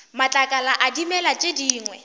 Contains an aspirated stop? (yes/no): no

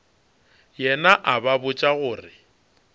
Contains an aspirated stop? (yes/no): no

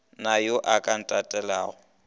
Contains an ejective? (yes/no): yes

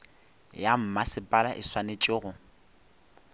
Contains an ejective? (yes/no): yes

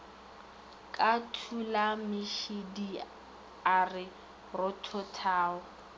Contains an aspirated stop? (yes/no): yes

